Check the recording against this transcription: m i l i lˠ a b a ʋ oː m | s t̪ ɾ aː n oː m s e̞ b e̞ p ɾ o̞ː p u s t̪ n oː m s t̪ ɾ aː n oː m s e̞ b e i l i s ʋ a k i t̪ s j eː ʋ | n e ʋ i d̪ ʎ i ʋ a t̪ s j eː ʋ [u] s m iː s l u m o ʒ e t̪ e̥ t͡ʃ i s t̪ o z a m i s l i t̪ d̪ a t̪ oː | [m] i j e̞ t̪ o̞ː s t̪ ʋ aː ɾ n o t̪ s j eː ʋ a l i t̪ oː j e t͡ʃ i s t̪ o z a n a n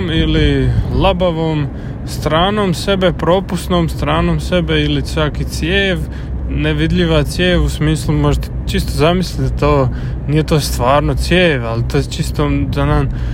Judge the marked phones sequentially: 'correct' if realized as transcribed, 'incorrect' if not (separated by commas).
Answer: correct, incorrect